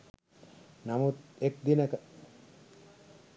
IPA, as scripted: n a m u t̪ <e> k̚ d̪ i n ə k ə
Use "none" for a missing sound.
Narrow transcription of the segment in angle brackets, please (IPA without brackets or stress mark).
e